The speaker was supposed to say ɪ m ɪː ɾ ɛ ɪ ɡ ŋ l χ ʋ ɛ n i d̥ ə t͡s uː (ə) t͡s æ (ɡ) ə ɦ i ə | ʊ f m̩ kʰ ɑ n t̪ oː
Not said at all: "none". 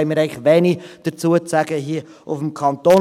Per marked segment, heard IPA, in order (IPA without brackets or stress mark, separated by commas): ə, ɡ